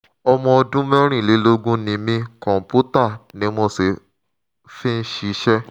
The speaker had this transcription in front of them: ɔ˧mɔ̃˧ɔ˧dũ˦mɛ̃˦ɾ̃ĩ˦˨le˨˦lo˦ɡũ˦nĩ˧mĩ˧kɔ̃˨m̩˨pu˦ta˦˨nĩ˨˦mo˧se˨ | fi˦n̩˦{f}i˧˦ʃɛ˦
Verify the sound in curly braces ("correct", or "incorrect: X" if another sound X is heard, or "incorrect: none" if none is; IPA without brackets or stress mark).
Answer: incorrect: ʃ